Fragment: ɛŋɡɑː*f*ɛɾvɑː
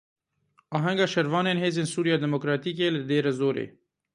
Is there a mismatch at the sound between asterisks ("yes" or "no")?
yes